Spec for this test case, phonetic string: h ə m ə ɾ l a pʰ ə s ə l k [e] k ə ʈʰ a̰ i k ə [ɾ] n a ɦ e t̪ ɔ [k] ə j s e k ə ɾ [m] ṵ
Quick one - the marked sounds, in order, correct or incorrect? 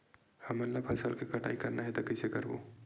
correct, correct, correct, incorrect: b

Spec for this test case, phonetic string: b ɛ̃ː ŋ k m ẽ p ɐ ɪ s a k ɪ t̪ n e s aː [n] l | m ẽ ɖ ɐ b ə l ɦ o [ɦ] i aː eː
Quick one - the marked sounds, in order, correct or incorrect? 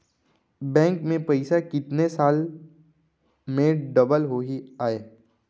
incorrect: none, correct

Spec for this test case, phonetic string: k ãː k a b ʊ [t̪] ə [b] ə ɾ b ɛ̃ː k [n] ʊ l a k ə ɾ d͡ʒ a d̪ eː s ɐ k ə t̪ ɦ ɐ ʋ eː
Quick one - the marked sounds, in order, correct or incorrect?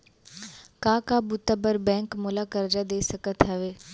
correct, correct, incorrect: m

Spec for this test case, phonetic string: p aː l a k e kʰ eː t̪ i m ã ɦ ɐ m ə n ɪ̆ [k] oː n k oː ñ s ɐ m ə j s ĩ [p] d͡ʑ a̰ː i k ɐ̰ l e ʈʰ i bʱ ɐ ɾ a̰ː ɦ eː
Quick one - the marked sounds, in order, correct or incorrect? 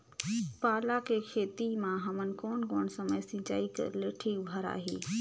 correct, incorrect: none

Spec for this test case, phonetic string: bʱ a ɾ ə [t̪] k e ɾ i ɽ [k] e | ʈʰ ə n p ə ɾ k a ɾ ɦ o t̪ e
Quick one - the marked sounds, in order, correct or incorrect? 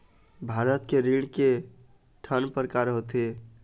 correct, correct

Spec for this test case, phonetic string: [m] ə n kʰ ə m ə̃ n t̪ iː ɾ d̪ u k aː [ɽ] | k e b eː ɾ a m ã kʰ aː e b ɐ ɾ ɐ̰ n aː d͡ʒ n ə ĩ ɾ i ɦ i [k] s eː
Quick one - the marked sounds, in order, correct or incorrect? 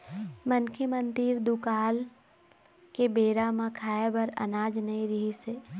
correct, incorrect: l, incorrect: none

